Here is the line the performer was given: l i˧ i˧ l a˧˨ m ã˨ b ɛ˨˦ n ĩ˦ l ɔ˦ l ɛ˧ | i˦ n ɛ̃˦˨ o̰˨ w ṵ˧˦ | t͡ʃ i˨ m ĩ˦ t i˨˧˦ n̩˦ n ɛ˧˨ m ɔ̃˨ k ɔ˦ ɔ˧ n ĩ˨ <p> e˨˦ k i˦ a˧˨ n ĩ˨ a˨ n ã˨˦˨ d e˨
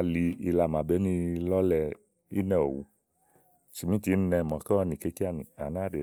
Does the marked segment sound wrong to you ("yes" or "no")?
yes